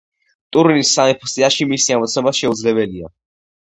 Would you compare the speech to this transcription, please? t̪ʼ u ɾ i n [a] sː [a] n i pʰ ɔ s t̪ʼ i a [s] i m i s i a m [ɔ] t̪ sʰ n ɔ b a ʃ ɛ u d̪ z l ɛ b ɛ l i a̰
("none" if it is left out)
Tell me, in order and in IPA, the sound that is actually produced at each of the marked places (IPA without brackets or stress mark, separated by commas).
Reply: i, a, ʃ, ɔ